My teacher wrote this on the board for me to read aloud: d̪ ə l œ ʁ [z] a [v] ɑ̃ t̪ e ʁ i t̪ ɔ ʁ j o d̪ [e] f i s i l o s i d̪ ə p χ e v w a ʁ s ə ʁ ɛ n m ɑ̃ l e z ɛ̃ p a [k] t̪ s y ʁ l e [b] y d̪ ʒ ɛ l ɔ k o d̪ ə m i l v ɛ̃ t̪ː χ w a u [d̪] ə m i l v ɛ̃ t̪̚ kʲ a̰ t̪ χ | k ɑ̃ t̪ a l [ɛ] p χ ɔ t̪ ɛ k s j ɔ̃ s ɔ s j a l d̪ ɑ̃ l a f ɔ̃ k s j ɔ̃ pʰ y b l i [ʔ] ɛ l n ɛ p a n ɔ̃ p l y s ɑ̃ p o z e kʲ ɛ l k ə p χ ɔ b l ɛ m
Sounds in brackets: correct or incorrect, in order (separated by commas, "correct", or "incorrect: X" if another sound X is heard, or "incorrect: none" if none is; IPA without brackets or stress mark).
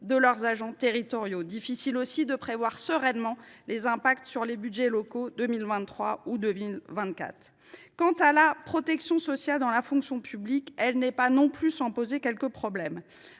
correct, incorrect: ʒ, incorrect: i, correct, correct, correct, incorrect: a, incorrect: k